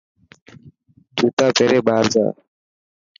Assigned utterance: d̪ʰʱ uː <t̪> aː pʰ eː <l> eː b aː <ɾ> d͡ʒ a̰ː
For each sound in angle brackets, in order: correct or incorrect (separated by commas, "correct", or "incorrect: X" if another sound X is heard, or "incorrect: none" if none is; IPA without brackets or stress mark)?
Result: correct, incorrect: ɾ, correct